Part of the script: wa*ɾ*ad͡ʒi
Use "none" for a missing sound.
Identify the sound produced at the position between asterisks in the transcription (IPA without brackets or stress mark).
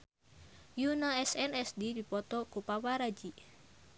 ɾ